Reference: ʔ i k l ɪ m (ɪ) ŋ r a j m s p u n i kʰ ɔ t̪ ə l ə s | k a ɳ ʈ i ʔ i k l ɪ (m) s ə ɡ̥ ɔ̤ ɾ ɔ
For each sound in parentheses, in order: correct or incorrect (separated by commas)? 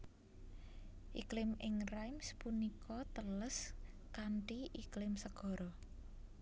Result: correct, correct